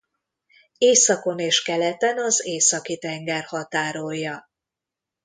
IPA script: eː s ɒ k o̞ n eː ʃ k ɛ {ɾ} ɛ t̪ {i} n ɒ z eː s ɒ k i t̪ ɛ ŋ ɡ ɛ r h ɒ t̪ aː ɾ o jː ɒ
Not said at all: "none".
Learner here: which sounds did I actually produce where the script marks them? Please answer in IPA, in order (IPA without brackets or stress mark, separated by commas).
l, ɛ